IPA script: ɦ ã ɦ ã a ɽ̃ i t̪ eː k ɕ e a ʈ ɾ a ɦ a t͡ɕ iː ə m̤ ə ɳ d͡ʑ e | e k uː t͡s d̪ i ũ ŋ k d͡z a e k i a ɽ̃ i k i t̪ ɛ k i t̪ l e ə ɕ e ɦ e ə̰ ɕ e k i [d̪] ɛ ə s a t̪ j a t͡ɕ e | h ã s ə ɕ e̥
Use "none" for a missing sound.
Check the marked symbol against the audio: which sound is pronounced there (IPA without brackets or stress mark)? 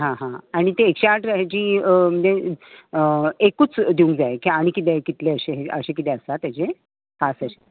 t̪